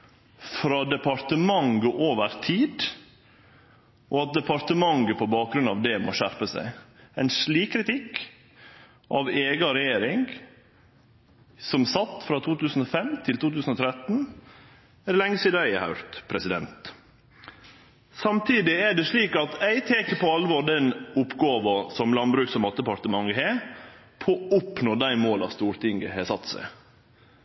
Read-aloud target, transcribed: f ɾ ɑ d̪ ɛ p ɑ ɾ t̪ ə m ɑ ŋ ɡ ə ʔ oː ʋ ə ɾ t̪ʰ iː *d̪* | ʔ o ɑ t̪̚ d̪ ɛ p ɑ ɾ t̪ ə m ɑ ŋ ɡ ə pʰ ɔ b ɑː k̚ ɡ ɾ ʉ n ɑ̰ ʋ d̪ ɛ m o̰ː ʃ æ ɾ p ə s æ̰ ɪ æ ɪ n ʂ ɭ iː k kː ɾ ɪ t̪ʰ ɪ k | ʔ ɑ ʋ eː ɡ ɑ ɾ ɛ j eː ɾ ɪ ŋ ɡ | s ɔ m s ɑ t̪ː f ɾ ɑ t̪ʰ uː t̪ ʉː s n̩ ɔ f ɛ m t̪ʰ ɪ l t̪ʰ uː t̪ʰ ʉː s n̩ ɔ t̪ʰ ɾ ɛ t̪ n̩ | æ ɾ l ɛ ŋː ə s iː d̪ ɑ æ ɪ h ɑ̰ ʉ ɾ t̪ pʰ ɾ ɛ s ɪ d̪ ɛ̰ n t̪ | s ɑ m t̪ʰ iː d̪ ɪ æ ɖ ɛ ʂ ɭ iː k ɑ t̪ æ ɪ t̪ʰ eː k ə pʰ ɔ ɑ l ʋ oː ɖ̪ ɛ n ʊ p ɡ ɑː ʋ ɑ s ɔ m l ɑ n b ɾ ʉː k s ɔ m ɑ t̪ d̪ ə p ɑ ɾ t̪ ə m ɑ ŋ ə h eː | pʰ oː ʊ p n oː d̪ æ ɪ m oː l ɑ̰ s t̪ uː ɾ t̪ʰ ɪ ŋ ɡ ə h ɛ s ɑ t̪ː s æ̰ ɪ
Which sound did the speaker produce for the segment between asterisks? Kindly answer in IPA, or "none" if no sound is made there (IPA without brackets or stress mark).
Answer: d̪